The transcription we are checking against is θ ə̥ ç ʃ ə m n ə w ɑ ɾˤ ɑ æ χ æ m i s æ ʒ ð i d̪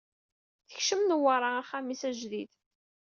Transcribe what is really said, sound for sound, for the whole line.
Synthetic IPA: θ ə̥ ç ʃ ə m n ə w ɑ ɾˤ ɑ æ χ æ m i s æ ʒ ð i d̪